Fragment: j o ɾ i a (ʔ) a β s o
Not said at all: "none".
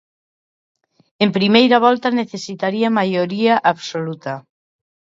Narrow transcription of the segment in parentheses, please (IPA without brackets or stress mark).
ʔ